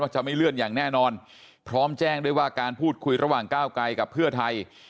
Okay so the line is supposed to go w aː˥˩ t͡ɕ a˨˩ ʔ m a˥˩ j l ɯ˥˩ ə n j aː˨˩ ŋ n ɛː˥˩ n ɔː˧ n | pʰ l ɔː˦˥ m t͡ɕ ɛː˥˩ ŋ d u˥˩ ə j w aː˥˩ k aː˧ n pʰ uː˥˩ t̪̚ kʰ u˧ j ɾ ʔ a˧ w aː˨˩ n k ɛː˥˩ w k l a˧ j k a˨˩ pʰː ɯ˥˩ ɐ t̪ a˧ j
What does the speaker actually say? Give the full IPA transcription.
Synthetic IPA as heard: w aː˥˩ t͡ɕ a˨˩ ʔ m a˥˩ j l ɯ˥˩ ə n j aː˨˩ ŋ n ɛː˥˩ n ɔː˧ n | pʰ ɾ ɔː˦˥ m t͡ɕ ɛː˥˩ ŋ d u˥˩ ə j w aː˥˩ k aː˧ n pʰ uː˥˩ t̪̚ kʰ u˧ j ɾ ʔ a˧ w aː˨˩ ŋ k aː˥˩ w k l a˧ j k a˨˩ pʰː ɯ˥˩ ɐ t̪ʰ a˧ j